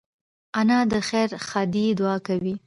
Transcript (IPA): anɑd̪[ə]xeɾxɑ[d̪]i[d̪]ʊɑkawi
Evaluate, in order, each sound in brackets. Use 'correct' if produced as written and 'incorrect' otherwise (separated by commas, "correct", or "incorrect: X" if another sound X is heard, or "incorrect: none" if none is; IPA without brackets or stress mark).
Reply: correct, correct, correct